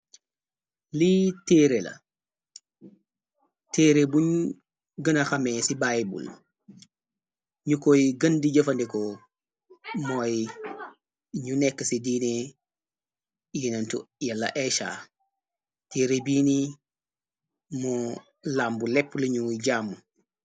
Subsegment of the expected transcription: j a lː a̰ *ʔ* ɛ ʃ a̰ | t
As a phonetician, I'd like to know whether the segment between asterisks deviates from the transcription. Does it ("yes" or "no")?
no